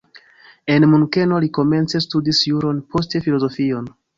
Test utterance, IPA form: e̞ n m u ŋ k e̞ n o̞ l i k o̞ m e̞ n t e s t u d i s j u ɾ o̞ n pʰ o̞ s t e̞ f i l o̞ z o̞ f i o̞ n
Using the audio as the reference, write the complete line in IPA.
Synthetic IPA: e̞ n m u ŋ k e̞ n o̞ l i k o̞ m e̞ n t͡s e s t u d i s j u ɾ o̞ n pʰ o̞ s t e̞ f i l o̞ z o̞ f i o̞ n